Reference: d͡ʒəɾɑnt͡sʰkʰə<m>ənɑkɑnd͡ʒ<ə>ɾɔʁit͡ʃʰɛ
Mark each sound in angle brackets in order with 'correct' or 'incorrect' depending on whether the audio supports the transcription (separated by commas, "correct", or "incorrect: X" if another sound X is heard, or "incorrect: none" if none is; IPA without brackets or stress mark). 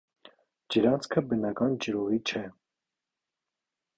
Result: incorrect: b, correct